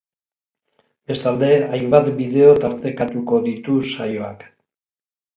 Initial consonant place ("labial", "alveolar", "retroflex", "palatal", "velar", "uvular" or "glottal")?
labial